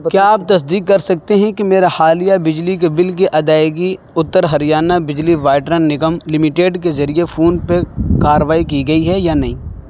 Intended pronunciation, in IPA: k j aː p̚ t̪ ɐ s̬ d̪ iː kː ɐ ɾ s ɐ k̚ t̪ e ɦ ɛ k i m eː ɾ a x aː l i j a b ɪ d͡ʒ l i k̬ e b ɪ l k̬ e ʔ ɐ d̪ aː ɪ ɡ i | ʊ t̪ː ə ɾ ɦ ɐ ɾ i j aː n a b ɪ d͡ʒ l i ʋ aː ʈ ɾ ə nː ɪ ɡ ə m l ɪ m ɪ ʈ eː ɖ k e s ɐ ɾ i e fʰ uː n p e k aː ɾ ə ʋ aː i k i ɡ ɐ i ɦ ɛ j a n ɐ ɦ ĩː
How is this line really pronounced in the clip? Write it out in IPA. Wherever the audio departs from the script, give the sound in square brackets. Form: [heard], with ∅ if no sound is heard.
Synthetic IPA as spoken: k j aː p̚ t̪ ɐ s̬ d̪ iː kː ɐ ɾ s ɐ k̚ t̪ e ɦ [ɛ̃] k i m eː ɾ a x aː l i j a b ɪ d͡ʒ l i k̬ e b ɪ l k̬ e ʔ ɐ d̪ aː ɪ ɡ i | ʊ t̪ː ə ɾ ɦ ɐ ɾ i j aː n a b ɪ d͡ʒ l i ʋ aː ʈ ɾ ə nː ɪ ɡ ə m l ɪ m ɪ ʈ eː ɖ k e [z] ɐ ɾ i e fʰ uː n p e k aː ɾ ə ʋ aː i k i ɡ ɐ i ɦ ɛ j a n ɐ ɦ ĩː